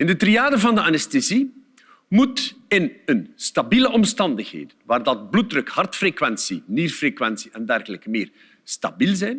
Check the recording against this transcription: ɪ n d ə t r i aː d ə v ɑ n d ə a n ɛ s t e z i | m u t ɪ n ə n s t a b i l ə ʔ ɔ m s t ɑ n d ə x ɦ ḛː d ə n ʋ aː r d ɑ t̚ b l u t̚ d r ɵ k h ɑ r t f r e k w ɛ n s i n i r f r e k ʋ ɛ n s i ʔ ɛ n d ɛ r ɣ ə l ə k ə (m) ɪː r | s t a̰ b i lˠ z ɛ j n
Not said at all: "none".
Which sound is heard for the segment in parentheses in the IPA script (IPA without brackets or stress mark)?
m